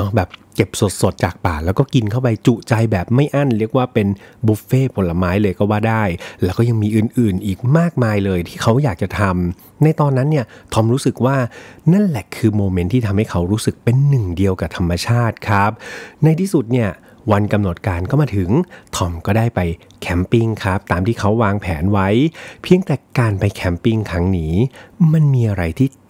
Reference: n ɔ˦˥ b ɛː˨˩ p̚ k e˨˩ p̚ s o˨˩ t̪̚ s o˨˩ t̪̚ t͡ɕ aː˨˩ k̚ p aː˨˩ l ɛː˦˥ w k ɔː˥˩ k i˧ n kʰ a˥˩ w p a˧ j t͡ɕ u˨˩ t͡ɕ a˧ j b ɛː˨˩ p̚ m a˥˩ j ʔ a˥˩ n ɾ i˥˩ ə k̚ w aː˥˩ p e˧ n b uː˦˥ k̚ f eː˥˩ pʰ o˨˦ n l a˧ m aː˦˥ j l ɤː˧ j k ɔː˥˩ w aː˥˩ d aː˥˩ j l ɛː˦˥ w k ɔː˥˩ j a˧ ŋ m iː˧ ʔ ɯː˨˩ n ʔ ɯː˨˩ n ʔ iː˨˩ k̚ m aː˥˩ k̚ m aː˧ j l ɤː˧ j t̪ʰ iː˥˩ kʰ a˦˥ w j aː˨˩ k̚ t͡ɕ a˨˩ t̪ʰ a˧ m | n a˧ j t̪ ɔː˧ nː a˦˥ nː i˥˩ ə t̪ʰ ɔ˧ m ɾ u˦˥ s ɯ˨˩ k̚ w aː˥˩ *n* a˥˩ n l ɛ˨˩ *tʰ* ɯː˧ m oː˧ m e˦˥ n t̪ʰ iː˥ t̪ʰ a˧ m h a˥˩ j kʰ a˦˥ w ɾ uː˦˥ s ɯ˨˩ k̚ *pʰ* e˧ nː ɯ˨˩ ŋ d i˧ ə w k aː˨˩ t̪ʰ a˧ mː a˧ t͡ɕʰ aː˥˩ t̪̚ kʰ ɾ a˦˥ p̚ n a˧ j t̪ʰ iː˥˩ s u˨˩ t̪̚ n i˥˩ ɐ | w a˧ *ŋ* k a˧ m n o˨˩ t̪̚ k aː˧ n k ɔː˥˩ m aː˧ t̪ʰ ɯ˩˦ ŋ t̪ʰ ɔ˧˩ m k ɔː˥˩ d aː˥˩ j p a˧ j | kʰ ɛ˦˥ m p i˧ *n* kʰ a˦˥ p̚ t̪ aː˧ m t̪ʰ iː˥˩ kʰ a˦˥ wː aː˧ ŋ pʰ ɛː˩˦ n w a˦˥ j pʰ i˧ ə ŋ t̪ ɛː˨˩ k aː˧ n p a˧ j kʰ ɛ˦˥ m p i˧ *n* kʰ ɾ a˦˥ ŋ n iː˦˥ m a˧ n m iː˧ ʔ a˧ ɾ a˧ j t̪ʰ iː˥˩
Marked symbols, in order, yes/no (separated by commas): yes, no, no, no, no, no